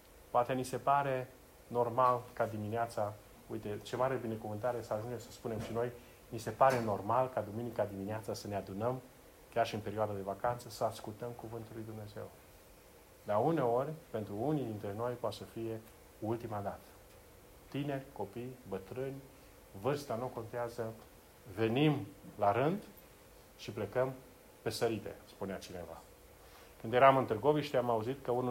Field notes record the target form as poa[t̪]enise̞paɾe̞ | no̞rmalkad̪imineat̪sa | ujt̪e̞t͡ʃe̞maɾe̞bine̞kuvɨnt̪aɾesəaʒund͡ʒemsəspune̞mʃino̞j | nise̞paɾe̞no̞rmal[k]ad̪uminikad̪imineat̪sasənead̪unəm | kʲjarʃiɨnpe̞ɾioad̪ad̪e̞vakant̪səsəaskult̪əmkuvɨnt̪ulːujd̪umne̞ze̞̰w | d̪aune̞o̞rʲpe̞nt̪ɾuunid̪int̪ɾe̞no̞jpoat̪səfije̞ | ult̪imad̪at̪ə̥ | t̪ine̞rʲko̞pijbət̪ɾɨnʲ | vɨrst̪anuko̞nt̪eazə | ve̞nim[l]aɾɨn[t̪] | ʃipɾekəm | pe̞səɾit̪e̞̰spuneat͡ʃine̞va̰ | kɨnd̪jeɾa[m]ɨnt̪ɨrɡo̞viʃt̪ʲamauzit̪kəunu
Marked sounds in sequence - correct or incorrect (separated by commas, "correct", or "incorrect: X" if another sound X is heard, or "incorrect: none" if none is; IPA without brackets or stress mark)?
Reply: correct, correct, correct, incorrect: d̪, correct